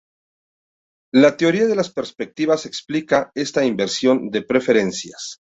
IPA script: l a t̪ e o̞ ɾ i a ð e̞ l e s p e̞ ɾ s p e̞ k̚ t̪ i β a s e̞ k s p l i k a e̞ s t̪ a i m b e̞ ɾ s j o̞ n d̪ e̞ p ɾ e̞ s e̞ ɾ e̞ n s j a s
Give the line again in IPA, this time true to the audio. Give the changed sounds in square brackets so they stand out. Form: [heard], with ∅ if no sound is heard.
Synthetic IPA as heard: l a t̪ e o̞ ɾ i a ð e̞ l [a] s p e̞ ɾ s p e̞ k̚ t̪ i β a s e̞ k s p l i k a e̞ s t̪ a i m b e̞ ɾ s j o̞ n d̪ e̞ p ɾ e̞ [f] e̞ ɾ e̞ n s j a s